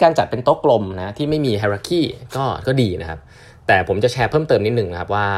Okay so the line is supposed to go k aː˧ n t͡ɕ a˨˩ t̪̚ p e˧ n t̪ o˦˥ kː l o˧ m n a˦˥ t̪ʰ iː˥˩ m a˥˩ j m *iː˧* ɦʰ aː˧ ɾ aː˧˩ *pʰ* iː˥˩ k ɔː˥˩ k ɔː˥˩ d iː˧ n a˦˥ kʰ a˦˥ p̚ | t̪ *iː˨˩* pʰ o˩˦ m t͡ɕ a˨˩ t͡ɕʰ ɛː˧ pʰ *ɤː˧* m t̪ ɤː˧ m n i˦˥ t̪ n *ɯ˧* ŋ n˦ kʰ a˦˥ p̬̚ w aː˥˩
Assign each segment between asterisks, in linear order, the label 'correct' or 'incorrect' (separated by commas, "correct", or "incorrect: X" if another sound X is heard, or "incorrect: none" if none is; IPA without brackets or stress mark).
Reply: correct, incorrect: kʰ, incorrect: ɛː˨˩, incorrect: ɤː˥˩, incorrect: ɯ˨˩